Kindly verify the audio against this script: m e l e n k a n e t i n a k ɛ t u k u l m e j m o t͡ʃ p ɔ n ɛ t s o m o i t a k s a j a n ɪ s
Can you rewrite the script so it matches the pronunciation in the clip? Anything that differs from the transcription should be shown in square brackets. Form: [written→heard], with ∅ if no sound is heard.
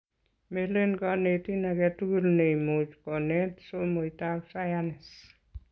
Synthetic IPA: m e l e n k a n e t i n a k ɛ t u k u l [m→n] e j m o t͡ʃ [p→k] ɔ n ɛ t s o m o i t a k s a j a n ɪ s